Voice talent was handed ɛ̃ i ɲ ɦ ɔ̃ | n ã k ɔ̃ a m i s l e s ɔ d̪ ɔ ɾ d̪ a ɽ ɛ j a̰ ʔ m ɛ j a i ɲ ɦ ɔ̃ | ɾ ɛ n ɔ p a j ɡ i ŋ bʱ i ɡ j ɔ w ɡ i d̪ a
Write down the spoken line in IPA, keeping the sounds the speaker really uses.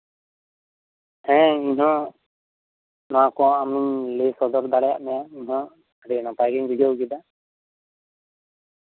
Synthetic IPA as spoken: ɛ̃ i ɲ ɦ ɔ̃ | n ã k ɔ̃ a m i l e s ɔ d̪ ɔ ɾ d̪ a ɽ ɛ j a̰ ʔ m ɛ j a i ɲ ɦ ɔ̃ | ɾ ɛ n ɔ p a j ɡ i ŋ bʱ i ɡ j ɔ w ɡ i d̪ a